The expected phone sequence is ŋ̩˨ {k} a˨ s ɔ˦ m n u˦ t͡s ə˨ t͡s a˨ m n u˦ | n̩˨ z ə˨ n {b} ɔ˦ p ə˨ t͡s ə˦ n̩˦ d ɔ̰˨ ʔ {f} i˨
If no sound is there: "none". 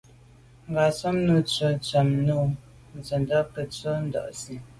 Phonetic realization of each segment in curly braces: ɡ, d, s

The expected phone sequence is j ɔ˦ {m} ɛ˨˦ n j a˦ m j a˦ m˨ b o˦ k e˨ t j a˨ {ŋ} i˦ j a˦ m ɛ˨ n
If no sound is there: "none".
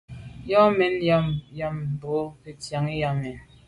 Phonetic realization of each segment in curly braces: m, ŋ

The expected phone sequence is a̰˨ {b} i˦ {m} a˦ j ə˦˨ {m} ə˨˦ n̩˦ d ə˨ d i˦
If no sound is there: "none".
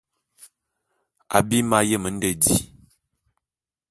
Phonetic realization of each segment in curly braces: b, m, m

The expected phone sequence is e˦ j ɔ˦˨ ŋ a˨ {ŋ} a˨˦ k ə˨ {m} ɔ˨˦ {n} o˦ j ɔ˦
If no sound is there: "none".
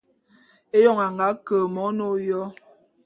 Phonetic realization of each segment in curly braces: ŋ, m, n

